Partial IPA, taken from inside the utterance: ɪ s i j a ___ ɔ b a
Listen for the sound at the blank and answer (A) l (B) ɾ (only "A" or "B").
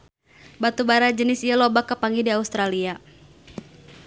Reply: A